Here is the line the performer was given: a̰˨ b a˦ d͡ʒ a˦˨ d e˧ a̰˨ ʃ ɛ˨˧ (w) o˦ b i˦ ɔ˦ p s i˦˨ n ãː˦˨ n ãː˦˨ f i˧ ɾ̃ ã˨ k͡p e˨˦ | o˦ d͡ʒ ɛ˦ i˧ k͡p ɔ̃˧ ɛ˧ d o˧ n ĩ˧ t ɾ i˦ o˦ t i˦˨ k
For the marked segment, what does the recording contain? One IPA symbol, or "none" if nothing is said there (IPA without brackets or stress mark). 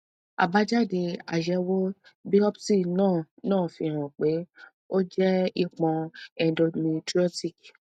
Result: w